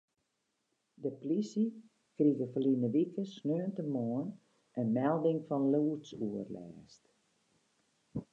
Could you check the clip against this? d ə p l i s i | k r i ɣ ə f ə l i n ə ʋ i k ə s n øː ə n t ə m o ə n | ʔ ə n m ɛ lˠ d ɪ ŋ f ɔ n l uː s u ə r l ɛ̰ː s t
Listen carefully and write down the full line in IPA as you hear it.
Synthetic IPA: d ə p l i s i | k r i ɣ ə f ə l i n ə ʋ i k ə s n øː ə n t ə m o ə n | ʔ ə n m ɛ lˠ d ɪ ŋ f ɔ n l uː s u ə r l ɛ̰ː s t